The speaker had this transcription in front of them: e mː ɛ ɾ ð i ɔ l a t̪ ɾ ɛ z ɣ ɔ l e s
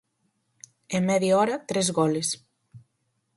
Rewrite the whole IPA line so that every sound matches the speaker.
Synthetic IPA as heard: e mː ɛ ð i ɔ ɾ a t̪ ɾ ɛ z ɣ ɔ l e s